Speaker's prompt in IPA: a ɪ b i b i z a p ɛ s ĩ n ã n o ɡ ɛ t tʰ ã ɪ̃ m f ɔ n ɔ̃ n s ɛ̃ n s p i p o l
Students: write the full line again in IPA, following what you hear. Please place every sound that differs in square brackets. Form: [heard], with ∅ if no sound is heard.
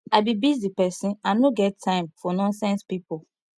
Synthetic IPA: a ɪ b i b i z [i] p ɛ s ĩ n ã n o ɡ ɛ t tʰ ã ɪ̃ m f ɔ n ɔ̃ n s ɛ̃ n s p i p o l